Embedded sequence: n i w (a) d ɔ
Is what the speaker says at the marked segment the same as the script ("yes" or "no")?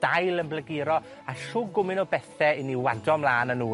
yes